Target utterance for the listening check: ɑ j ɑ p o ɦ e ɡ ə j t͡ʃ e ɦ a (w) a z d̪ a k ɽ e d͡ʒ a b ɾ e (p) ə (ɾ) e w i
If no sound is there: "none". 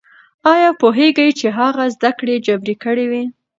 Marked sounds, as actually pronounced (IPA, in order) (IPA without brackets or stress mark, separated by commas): ɣ, k, ɽ